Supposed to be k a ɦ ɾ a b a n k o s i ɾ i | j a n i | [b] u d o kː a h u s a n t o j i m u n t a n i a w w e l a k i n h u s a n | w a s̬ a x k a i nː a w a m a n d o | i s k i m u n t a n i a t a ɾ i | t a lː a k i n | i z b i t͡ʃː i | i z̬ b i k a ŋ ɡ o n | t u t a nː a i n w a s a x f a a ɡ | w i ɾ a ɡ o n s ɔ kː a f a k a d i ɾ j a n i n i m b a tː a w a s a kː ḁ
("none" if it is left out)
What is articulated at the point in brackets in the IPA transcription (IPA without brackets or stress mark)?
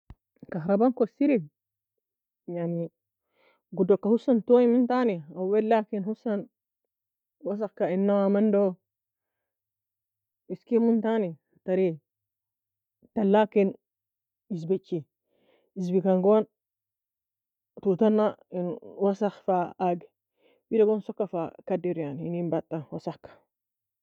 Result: ɡ